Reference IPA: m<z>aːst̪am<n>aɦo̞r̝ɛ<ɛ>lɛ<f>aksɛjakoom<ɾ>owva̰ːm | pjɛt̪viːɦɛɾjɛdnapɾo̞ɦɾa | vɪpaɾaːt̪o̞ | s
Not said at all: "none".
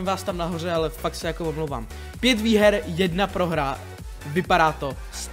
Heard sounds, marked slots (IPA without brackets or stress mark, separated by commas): v, n, a, f, l